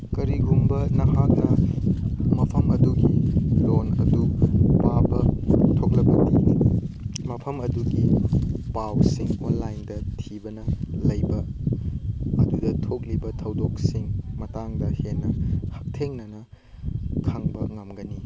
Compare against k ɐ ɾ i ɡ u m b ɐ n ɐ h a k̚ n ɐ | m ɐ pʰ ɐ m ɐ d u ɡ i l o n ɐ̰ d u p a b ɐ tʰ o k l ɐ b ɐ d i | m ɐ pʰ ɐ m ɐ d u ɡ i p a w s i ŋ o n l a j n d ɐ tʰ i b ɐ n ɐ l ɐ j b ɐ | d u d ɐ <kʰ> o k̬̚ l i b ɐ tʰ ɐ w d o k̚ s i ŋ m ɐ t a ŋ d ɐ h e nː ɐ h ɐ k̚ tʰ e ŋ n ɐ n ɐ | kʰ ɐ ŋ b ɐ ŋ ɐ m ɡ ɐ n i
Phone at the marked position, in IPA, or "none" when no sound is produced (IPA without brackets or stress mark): tʰ